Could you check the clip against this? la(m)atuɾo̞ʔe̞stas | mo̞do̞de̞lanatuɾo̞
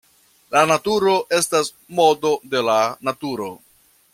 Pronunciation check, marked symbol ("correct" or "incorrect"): incorrect